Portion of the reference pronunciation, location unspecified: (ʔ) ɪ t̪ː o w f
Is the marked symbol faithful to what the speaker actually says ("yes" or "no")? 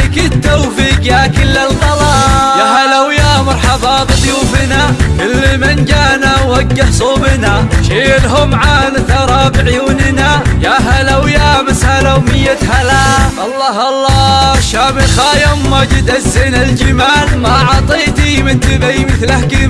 no